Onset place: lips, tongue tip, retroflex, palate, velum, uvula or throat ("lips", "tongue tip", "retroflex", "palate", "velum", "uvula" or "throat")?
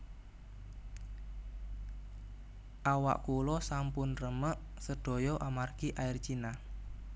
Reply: throat